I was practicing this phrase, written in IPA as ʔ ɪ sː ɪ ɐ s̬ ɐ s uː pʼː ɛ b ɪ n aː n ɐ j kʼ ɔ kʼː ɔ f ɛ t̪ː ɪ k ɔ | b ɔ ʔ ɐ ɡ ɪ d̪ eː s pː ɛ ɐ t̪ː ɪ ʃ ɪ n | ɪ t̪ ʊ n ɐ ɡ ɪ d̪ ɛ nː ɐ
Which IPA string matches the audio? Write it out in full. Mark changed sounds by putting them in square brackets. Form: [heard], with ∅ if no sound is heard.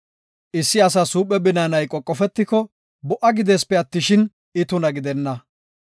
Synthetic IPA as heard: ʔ ɪ sː ɪ ɐ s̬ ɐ s uː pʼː ɛ b ɪ n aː n ɐ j kʼ ɔ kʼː ɔ f ɛ t̪ː ɪ k ɔ | b ɔ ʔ ɐ ɡ ɪ d̪ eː s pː ɛ ɐ t̪ː ɪ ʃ ɪ n | ɪ t̪ ʊ n ɐ ɡ ɪ d̪ ɛ nː ɐ